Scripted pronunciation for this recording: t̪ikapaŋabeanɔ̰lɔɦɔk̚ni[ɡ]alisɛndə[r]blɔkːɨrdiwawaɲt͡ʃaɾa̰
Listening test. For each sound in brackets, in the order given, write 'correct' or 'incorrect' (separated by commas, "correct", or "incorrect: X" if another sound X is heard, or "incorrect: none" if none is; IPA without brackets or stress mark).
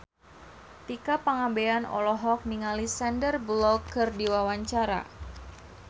incorrect: ŋ, correct